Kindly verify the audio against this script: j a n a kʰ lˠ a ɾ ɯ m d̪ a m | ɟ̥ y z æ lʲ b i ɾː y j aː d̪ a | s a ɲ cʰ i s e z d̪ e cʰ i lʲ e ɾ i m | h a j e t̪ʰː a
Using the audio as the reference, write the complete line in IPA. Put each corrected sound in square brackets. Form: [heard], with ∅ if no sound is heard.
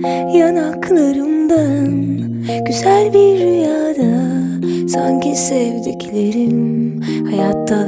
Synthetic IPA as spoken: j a n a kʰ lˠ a ɾ ɯ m d̪ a [n] | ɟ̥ y z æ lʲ b i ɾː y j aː d̪ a | s a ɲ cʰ i s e [v] d̪ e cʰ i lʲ e ɾ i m | h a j [a] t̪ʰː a